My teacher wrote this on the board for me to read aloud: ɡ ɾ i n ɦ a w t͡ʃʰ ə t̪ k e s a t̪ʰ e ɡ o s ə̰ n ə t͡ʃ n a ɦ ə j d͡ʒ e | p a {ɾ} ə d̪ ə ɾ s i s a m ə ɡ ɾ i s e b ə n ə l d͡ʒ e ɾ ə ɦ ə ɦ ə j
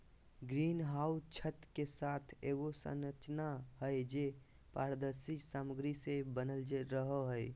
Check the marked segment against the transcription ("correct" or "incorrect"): correct